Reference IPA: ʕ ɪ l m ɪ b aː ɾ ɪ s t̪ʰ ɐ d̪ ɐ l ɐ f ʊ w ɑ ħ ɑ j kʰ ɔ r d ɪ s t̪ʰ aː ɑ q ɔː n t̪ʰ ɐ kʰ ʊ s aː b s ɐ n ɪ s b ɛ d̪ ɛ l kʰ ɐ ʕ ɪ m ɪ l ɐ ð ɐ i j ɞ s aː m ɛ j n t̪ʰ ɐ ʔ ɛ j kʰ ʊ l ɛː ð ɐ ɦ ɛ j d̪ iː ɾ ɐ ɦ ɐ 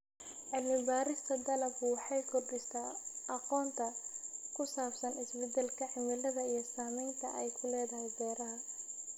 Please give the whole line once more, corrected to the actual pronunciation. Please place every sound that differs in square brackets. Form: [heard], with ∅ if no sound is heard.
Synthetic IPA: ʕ ɪ l m ɪ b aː ɾ ɪ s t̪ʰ ɐ d̪ ɐ l ɐ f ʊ w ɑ ħ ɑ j kʰ ɔ r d ɪ s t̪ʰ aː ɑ q ɔː n t̪ʰ ɐ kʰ ʊ s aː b s ɐ n ɪ s b ɛ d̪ ɛ l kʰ ɐ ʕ ɪ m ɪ l ɐ ð ɐ i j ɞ s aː m ɛ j n t̪ʰ ɐ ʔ ɛ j kʰ ʊ l ɛː ð ɐ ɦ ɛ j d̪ [ɛː] ɾ ɐ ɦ ɐ